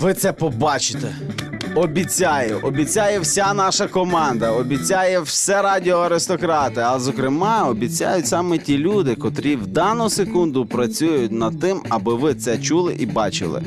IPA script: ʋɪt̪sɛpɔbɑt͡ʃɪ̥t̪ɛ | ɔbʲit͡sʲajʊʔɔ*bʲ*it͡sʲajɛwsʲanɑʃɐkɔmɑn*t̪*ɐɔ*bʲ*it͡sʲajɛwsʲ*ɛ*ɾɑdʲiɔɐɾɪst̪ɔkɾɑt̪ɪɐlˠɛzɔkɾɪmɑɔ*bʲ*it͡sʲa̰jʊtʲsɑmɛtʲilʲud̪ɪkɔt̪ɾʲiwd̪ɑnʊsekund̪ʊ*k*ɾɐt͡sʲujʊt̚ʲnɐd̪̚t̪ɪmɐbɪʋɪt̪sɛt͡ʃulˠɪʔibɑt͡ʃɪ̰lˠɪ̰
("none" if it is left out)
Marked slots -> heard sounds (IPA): bʲ, d̪, bʲ, ɛ, bʲ, p

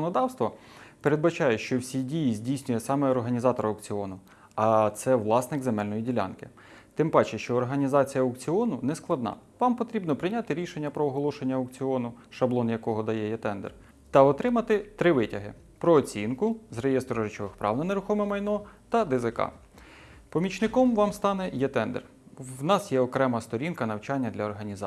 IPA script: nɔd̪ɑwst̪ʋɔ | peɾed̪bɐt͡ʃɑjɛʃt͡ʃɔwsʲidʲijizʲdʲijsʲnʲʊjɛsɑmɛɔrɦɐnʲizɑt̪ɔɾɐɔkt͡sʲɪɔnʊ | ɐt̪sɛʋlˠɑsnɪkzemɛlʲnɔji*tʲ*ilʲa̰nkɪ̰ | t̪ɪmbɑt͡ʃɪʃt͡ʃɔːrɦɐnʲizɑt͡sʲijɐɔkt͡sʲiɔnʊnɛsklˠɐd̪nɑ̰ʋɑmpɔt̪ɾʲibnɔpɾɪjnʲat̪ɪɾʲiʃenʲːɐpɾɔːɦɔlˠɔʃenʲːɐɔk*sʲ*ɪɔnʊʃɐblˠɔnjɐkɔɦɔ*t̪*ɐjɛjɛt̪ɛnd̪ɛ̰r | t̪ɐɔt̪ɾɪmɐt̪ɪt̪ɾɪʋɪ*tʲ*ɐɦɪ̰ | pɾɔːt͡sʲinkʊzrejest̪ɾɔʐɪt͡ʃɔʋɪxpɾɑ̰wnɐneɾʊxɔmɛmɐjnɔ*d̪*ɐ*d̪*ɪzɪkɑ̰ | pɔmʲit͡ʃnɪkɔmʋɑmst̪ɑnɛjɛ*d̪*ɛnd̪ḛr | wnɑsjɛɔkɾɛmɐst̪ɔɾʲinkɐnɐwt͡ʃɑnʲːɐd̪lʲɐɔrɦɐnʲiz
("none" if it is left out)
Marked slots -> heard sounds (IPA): dʲ, t͡sʲ, d̪, tʲ, t̪, d̪, t̪

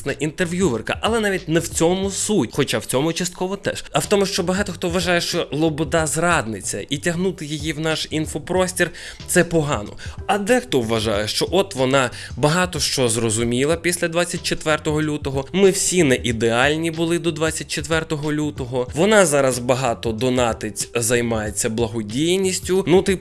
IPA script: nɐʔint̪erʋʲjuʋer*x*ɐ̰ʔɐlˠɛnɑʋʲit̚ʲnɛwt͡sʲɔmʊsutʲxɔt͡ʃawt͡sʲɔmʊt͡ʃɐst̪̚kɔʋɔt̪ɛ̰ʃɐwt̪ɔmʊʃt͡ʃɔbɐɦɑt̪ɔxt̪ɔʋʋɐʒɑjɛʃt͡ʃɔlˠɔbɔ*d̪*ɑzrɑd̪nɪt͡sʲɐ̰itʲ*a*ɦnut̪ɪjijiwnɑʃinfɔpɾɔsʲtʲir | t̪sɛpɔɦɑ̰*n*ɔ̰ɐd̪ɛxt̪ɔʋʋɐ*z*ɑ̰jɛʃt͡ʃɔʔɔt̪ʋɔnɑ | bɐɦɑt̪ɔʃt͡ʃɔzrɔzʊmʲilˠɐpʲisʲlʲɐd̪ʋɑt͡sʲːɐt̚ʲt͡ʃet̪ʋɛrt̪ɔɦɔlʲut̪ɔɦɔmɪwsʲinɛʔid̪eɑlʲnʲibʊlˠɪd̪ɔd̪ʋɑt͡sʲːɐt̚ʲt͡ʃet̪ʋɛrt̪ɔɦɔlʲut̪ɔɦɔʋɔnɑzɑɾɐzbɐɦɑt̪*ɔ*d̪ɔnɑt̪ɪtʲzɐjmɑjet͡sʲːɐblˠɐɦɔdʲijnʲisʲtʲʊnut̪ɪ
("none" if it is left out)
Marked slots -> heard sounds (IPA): k, d̪, ɐ, n, ʒ, ɔ

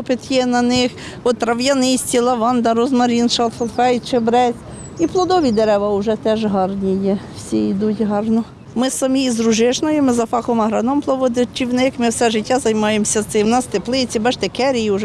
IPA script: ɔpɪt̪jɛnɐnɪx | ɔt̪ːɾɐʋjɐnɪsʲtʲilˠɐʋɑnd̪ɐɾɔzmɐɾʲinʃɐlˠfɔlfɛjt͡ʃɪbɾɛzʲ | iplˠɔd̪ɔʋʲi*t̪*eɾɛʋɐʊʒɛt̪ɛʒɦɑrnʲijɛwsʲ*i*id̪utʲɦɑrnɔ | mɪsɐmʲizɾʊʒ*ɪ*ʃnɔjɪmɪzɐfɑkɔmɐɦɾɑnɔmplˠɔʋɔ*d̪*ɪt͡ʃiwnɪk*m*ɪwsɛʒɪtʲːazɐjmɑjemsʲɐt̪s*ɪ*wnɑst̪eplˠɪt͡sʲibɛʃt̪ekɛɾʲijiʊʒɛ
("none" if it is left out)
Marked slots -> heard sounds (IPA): d̪, i, ɪ, d̪, m, ɪ

